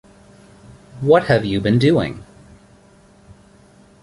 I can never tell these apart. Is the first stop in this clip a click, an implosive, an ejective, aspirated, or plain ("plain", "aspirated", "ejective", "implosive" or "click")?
plain